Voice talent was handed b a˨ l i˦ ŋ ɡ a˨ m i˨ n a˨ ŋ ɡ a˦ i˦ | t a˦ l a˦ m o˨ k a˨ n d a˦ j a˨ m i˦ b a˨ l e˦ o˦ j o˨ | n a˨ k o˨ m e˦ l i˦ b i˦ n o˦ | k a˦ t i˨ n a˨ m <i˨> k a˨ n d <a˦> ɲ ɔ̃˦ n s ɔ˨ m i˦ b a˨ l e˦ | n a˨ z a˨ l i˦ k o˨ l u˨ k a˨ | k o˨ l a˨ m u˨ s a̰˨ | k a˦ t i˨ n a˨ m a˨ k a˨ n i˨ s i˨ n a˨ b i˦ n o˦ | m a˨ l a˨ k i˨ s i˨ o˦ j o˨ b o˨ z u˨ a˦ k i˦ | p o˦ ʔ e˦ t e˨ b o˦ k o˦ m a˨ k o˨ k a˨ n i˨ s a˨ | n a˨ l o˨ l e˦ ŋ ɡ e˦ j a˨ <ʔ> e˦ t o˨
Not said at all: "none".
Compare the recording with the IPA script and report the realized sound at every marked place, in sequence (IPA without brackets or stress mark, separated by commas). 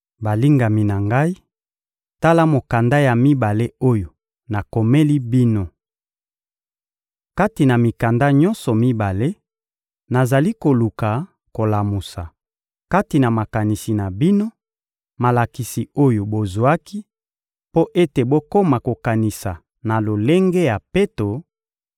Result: i˨, a˦, p